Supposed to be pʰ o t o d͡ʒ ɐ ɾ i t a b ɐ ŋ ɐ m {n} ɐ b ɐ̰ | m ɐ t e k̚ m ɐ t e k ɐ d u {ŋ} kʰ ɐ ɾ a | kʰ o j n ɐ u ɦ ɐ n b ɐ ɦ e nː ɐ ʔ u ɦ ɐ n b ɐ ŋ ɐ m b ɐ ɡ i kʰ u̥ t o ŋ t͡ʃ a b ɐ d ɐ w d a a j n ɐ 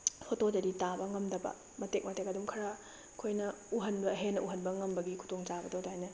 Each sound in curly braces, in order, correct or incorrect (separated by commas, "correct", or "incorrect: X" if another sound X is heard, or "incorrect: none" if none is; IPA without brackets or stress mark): incorrect: d, incorrect: m